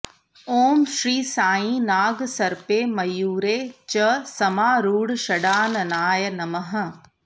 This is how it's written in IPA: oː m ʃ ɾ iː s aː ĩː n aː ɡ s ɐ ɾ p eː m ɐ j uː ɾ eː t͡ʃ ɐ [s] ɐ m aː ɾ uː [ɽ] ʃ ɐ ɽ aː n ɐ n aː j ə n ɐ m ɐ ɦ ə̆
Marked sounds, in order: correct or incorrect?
correct, correct

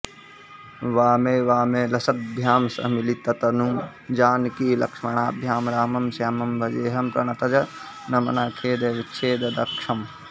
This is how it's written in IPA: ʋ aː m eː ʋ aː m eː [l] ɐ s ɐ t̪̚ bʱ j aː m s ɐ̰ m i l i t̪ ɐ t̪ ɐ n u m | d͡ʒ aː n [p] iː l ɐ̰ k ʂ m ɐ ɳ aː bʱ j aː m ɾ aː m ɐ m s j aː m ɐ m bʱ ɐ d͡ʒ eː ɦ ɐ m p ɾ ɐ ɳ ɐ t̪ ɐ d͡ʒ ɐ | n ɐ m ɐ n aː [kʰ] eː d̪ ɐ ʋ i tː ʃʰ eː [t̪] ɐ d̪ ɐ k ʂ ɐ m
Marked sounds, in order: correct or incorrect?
correct, incorrect, correct, incorrect

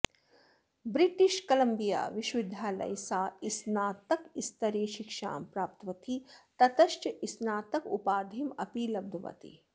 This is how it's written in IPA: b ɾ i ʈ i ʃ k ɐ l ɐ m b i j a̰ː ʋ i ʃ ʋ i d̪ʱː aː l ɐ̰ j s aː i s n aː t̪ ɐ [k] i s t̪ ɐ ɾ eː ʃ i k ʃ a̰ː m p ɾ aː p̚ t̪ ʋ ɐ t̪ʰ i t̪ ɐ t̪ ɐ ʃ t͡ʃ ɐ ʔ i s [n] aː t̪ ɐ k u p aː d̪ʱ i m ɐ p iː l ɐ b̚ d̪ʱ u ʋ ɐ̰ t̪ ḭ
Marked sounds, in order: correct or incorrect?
correct, correct

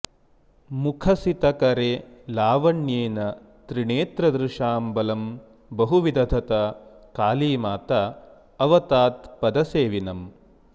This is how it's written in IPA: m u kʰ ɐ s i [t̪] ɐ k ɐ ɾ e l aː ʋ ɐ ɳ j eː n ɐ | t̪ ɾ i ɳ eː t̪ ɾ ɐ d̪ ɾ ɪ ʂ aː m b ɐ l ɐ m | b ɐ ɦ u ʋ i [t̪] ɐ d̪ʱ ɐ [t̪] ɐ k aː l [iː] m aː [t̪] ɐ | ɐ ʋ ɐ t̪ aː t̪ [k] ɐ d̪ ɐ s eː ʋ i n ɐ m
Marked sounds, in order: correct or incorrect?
correct, incorrect, correct, correct, correct, incorrect

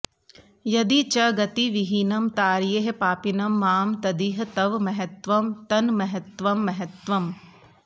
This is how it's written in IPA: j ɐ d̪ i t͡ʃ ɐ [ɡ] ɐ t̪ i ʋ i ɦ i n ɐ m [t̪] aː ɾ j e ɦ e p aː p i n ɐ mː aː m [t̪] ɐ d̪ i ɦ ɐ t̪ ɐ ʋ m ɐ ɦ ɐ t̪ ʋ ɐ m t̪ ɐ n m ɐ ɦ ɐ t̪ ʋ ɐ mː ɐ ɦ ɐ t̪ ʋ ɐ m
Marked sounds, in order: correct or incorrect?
correct, correct, correct

